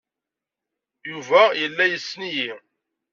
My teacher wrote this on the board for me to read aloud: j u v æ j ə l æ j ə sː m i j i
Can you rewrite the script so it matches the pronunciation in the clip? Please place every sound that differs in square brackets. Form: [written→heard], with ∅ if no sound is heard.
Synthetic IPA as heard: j u v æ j ə [l→lː] æ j ə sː [m→n] i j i